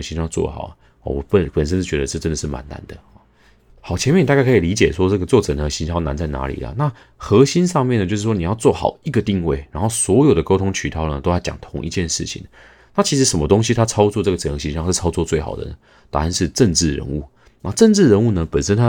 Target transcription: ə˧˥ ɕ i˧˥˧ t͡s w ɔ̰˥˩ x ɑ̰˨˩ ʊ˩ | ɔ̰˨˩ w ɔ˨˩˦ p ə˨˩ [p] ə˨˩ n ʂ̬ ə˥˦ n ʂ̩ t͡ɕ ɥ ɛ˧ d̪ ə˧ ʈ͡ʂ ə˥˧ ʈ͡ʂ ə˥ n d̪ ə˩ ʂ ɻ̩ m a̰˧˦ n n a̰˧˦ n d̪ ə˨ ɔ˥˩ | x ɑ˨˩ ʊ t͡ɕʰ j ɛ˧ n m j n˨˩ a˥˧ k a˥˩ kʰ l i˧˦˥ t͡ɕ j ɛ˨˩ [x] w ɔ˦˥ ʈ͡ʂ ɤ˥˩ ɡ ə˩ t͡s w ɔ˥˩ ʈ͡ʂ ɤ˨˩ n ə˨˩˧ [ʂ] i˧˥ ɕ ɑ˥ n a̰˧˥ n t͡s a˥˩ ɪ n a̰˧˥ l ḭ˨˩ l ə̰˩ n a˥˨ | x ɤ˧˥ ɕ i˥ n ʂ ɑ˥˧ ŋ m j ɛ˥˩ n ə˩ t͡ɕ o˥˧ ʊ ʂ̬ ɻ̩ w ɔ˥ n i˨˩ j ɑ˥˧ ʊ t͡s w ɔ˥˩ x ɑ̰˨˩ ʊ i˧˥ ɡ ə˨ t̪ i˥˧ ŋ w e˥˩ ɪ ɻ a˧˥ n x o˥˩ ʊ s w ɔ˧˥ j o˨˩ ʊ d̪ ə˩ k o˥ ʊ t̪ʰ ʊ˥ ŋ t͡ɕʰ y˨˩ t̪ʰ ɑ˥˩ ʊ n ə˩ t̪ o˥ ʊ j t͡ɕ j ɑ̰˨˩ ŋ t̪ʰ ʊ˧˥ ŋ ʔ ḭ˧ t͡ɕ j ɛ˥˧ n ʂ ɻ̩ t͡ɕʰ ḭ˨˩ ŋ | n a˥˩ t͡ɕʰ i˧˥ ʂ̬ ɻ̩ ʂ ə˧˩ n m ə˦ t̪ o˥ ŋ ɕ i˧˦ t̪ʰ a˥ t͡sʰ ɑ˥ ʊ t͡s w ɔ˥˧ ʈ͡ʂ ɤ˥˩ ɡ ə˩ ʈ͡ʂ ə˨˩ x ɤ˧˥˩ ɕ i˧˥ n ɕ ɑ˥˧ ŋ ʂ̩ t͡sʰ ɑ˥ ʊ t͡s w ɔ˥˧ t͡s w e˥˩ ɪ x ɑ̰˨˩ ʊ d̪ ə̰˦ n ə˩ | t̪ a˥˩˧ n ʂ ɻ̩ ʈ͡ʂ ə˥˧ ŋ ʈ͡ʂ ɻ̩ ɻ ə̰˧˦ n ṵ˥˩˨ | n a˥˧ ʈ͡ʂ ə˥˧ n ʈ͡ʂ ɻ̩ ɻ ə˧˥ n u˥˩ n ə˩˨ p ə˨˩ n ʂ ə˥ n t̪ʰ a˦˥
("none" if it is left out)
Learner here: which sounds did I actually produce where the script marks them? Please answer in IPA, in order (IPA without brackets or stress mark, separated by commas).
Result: p, ʂ, ɕ